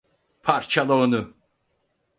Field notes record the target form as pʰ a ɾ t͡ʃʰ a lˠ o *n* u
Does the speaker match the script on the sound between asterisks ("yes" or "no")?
yes